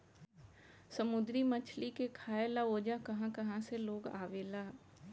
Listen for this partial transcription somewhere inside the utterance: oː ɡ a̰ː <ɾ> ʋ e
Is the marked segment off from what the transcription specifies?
yes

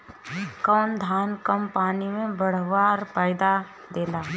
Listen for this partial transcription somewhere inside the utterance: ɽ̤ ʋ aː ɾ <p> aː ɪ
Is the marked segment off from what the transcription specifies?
no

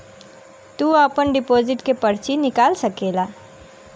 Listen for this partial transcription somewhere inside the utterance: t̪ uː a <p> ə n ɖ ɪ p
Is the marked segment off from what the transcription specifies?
no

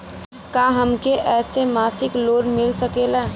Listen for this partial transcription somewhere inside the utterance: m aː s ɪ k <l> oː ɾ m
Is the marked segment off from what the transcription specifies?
no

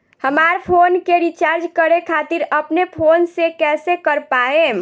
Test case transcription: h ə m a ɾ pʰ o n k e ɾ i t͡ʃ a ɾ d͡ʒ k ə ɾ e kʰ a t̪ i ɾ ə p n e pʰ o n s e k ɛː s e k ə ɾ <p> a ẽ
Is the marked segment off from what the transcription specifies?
no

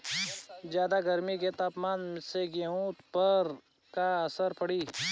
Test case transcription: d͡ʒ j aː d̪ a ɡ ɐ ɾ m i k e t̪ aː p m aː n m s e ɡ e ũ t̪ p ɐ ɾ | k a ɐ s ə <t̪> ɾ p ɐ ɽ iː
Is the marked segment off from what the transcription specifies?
yes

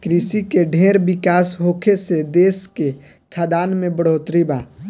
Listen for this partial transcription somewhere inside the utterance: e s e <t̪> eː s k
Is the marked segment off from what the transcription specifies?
yes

